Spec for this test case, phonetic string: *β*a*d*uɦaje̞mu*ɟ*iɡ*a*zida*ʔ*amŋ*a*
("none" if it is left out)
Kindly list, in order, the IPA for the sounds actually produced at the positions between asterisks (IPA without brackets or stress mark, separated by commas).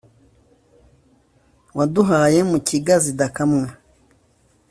w, d, c, a, k, a